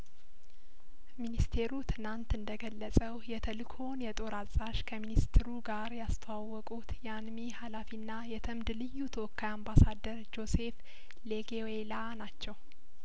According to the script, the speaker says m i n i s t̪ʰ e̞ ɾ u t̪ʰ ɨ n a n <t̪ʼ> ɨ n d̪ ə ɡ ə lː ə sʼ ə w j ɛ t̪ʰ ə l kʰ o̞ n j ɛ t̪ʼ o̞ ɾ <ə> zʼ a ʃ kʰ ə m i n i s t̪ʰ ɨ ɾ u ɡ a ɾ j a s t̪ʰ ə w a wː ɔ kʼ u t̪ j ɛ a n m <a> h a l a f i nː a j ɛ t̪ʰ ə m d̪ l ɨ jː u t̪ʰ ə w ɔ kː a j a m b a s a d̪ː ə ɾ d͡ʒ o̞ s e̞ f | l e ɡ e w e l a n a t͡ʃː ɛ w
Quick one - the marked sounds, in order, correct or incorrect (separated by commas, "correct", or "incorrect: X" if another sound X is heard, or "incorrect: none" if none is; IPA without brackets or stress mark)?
incorrect: t̪, incorrect: a, incorrect: i